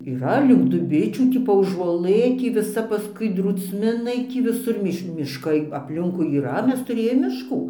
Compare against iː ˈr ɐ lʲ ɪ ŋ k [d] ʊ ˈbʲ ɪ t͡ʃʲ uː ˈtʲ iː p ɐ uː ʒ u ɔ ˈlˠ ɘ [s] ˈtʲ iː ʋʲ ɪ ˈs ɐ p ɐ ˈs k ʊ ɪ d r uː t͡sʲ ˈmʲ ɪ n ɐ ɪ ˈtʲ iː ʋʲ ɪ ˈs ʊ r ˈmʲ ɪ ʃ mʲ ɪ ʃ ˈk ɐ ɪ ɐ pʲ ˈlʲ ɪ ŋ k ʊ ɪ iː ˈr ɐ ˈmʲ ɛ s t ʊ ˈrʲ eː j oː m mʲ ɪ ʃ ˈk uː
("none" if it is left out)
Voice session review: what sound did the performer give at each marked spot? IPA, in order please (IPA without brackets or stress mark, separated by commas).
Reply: d, none